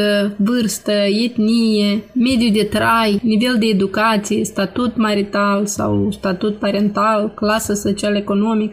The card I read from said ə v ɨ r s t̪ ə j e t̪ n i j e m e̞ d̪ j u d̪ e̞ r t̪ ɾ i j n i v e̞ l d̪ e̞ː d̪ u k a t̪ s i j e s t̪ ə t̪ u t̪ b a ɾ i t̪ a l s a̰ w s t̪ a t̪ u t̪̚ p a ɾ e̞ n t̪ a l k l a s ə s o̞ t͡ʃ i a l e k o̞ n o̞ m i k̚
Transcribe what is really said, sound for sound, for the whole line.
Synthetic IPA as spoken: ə v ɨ r s t̪ ə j e t̪ n i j e m e̞ d̪ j u d̪ e̞ t̪ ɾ a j n i v e̞ l d̪ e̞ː d̪ u k a t̪ s i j e s t̪ a t̪ u t̪ m a ɾ i t̪ a l s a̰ w s t̪ a t̪ u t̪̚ p a ɾ e̞ n t̪ a l k l a s ə s o̞ t͡ʃ i a l e k o̞ n o̞ m i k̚